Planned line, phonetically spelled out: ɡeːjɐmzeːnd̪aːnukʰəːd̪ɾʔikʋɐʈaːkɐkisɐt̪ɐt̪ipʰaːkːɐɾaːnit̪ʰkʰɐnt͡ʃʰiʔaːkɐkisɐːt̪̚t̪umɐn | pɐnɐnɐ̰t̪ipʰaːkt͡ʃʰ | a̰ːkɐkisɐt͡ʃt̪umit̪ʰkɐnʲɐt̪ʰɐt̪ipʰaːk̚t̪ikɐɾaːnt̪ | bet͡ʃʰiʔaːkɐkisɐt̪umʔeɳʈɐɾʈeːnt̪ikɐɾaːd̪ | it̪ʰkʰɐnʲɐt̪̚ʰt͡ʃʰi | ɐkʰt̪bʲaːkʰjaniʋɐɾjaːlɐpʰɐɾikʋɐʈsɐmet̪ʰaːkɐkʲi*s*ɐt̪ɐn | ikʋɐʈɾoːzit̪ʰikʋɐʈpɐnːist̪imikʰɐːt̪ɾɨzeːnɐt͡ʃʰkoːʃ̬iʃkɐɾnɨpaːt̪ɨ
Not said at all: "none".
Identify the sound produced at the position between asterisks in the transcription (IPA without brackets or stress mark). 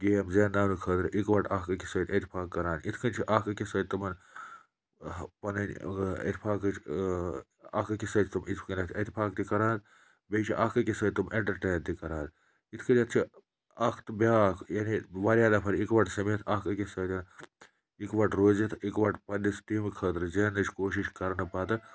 s